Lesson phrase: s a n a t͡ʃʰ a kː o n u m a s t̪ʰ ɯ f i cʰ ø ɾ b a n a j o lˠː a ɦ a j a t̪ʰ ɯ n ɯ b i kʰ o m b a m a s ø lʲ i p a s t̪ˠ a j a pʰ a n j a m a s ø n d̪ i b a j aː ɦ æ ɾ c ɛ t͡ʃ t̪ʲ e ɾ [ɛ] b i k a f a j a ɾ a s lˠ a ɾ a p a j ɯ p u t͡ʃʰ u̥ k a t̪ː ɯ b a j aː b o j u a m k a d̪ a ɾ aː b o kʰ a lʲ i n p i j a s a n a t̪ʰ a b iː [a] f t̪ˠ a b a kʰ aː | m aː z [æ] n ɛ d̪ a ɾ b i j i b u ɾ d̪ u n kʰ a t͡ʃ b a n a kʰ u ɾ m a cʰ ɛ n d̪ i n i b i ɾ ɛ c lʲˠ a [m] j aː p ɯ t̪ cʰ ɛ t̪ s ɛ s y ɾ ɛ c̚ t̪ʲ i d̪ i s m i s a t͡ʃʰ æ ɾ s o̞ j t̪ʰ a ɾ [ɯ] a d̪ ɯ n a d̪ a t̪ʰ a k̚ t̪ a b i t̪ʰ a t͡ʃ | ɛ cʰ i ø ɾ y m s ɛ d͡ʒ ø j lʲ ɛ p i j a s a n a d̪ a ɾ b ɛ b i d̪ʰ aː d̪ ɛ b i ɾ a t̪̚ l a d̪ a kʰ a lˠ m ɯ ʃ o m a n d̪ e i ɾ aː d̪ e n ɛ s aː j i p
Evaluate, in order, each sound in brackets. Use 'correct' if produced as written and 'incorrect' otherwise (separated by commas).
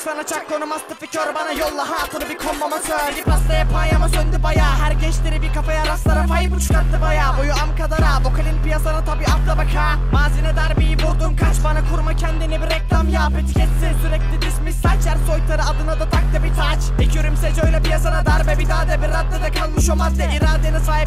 incorrect, correct, incorrect, correct, correct